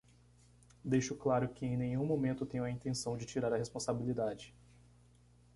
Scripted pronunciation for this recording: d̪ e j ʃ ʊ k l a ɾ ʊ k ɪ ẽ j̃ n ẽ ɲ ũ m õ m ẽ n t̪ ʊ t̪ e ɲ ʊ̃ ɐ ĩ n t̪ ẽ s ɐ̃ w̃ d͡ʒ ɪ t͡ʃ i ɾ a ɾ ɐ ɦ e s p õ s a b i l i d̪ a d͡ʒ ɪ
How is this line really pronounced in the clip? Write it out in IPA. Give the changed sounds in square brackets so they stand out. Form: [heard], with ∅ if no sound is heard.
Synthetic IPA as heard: d̪ e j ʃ ʊ k l a ɾ ʊ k ɪ ẽ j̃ n ẽ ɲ ũ m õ m ẽ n t̪ ʊ t̪ [ẽ] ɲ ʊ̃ ɐ ĩ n t̪ ẽ s ɐ̃ w̃ d͡ʒ ɪ t͡ʃ i ɾ a ɾ ɐ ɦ e s p õ s a b i l i d̪ a d͡ʒ ɪ